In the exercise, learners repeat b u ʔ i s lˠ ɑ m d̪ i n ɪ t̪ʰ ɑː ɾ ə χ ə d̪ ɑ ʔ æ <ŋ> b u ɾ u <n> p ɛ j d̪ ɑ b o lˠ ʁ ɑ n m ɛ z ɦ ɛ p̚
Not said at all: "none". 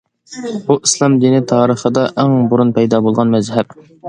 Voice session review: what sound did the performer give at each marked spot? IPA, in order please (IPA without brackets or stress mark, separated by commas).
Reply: ŋ, n